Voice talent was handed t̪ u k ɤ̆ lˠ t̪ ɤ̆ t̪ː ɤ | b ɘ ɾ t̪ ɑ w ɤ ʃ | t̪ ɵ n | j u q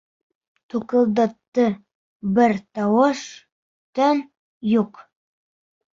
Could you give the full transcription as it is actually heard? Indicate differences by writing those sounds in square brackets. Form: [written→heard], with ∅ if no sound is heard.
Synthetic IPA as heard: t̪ u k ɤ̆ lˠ [t̪→d̪] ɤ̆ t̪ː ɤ | b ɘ ɾ t̪ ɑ w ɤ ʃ | t̪ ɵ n | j u q